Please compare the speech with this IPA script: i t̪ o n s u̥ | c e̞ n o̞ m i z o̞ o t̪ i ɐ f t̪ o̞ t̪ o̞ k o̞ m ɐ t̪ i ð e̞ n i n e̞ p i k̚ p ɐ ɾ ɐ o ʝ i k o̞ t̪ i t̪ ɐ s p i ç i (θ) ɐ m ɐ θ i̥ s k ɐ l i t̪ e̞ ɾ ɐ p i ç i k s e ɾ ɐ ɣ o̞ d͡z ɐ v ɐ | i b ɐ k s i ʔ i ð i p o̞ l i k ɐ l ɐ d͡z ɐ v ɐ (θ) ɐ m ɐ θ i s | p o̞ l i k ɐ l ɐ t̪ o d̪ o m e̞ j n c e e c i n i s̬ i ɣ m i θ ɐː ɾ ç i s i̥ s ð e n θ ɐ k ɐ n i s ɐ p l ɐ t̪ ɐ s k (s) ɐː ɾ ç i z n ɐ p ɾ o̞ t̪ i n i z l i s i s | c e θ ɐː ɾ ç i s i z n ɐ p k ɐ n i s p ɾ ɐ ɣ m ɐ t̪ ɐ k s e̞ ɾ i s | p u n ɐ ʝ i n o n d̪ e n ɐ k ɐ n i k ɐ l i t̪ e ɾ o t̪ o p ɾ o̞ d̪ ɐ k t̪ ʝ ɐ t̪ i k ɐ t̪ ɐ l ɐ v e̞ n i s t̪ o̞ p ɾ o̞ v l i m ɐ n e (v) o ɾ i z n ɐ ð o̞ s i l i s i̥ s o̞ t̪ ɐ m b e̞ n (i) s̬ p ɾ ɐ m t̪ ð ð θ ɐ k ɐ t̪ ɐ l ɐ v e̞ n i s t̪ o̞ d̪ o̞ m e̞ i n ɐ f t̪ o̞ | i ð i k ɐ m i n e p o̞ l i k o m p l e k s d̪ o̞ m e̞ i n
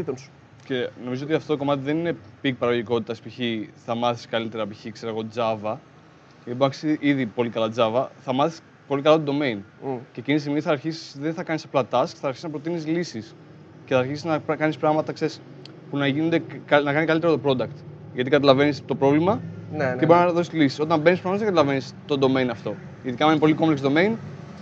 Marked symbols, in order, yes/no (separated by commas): yes, yes, no, no, yes